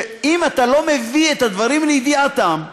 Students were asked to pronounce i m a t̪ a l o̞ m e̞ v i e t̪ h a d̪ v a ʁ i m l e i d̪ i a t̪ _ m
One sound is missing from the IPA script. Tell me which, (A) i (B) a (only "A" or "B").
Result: B